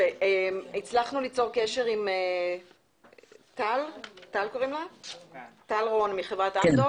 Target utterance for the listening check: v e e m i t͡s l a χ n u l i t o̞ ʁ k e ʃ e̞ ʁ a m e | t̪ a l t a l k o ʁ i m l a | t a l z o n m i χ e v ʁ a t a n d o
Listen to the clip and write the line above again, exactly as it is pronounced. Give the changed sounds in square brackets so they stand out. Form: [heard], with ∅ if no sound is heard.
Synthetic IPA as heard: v e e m i t͡s l a χ n u l i [t͡s] o̞ ʁ k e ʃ e̞ ʁ [i] m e | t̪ a l t a l k o ʁ i m l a | t a l [ʁ] o n m i χ e v ʁ a t a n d o